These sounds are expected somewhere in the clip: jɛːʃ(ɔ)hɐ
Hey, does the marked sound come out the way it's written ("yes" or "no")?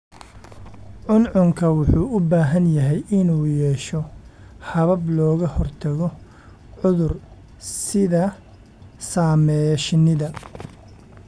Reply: yes